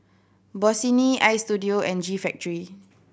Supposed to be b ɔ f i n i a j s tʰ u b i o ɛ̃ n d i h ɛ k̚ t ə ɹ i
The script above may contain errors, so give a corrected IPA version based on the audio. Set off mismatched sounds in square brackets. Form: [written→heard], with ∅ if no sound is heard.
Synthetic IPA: b ɔ [f→s] i n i a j s [tʰ→t] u [b→d] i o ɛ̃ n [d→d͡ʒ] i [h→f] ɛ k̚ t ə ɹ i